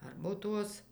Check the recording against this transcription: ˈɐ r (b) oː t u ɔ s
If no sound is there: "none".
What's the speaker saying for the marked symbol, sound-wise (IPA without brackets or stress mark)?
b